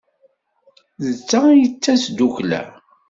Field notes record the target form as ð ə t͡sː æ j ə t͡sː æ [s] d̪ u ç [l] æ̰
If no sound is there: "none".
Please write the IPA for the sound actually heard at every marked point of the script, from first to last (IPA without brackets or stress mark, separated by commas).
s, l